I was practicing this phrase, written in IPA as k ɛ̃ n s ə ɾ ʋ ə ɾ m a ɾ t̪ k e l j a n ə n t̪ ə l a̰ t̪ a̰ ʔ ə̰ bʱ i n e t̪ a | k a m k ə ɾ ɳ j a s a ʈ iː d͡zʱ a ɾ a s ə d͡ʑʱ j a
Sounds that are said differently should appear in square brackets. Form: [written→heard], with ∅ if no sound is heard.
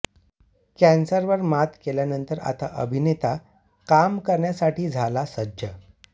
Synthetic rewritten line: k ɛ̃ n s ə ɾ ʋ ə ɾ m a [ɾ→∅] t̪ k e l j a n ə n t̪ ə [l→ɾ] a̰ t̪ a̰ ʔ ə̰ bʱ i n e t̪ a | k a m k ə ɾ ɳ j a s a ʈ iː d͡zʱ a [ɾ→l] a s ə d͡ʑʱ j [a→ə]